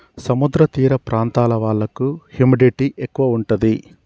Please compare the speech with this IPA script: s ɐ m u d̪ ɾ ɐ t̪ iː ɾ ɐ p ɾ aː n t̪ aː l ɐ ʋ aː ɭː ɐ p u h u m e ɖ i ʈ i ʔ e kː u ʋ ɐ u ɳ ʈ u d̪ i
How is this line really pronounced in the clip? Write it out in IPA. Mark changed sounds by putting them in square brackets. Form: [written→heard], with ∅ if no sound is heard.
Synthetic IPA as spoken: s ɐ m u d̪ ɾ ɐ t̪ iː ɾ ɐ p ɾ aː n t̪ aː l ɐ ʋ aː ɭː ɐ [p→k] u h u m [e→i] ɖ i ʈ i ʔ e kː u ʋ ɐ u ɳ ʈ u d̪ i